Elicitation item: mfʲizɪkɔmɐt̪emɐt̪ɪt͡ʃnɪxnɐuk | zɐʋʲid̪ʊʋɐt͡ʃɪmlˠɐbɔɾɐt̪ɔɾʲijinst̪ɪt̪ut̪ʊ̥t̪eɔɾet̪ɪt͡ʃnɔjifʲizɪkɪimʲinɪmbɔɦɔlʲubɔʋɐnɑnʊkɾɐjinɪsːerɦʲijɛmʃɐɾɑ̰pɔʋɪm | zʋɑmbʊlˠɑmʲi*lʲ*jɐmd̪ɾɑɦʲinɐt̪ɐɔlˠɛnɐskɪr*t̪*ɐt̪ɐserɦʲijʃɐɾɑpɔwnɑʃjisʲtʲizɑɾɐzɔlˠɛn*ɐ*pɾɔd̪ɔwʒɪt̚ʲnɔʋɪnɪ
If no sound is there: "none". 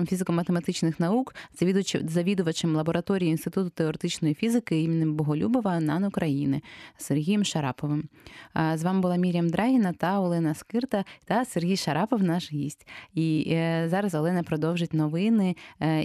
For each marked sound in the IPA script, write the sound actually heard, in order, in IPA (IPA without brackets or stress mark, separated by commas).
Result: ɾʲ, t̪, ɐ